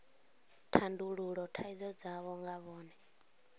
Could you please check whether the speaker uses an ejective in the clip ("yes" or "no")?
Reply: no